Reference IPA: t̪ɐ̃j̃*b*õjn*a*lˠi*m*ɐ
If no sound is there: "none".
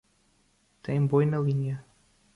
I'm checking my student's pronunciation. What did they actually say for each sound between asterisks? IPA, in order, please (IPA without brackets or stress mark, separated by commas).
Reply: b, ɐ, ɲ